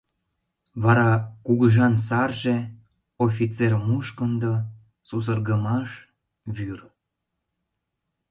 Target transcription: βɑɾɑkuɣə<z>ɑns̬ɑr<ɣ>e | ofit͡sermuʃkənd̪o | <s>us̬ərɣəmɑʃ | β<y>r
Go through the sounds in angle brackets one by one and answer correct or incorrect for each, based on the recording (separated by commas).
incorrect, incorrect, correct, correct